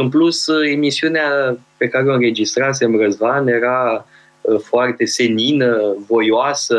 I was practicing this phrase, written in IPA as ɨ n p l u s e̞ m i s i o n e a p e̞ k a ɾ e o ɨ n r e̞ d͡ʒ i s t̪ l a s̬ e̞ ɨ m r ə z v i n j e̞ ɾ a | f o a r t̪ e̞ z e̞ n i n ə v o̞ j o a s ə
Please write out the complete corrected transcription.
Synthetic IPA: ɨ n p l u s e̞ m i s i u n e a p e̞ k a ɾ e o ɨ n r e̞ d͡ʒ i s t̪ ɾ a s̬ e̞ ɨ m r ə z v a n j e̞ ɾ a | f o a r t̪ e̞ s e̞ n i n ə v o̞ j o a s ə